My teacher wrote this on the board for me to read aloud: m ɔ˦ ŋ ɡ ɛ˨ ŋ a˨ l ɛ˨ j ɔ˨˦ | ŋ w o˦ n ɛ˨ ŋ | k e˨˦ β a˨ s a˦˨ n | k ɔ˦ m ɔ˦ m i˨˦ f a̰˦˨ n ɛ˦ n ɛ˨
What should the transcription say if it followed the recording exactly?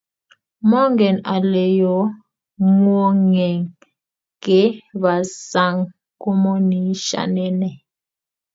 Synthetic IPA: m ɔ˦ ŋ ɡ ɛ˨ n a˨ l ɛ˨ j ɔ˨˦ | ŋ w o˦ ŋ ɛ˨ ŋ | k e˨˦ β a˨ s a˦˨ ŋ | k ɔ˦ m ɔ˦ n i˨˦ ʃ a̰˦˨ n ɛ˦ n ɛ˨